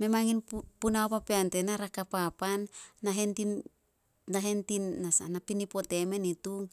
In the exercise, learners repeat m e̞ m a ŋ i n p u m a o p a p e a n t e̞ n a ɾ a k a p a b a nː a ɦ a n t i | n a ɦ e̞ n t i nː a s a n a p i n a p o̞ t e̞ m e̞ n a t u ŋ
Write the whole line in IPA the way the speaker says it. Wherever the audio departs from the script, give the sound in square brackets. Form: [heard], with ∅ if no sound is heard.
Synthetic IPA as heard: m e̞ m a ŋ i n p u [n] a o p a p e a n t e̞ n a ɾ a k a p a [p] a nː a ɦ [e] n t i | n a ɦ e̞ n t i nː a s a n a p i n [i] p o̞ t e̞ m e̞ n [i] t u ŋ